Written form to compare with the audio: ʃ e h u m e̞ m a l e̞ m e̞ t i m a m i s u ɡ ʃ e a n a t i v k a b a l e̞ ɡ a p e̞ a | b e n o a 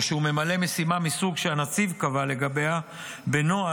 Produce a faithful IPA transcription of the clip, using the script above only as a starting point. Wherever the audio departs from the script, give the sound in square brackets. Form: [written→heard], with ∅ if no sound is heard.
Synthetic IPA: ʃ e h u m e̞ m a l e̞ m e̞ [t→s] i m a m i s u ɡ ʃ e a n a [t→t͡s] i v k a [b→v] a l e̞ ɡ a [p→b] e̞ a | b e n o a